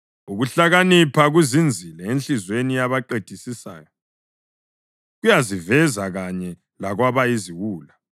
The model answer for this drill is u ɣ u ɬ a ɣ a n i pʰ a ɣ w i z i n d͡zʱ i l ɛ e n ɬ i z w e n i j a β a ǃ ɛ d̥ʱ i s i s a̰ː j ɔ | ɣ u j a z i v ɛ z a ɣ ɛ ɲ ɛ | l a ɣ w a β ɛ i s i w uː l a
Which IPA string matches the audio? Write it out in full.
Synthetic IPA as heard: u ɣ u ɬ a ɣ a n i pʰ a ɣ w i z i n d͡zʱ i l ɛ e n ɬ i z w e n i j a β a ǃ e d̥ʱ i s i s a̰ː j ɔ | ɣ u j a z i v ɛ z a ɣ a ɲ ɛ | l a ɣ w a β a i z i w uː l a